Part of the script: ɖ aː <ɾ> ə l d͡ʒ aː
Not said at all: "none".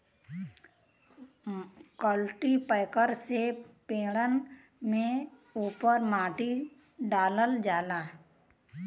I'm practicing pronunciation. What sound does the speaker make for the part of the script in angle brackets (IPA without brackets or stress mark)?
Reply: l